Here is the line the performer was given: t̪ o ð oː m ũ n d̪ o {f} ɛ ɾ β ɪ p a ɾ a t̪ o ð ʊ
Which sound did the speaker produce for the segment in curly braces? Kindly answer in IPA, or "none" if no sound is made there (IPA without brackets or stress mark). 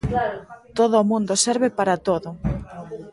s